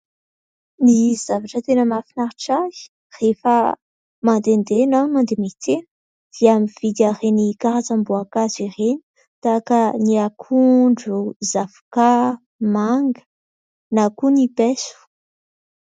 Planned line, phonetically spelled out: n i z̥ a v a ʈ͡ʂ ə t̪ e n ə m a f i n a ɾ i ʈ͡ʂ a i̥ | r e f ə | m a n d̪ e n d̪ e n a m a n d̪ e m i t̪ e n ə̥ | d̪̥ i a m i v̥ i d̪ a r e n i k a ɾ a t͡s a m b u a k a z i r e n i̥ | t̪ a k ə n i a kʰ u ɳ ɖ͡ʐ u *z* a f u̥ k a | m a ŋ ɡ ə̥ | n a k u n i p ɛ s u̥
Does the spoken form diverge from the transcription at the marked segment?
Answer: no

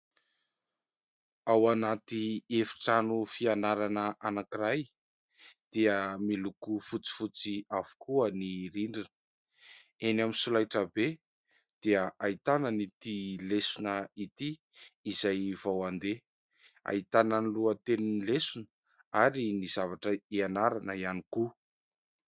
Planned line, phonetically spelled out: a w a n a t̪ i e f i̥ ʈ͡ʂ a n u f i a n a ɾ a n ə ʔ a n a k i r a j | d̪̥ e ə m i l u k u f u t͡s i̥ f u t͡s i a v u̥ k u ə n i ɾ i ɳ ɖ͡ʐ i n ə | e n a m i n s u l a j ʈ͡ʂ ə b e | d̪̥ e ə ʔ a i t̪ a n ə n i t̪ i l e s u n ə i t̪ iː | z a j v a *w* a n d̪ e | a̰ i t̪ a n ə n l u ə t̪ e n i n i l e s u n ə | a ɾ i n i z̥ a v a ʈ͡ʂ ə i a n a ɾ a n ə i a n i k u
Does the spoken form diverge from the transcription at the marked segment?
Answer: no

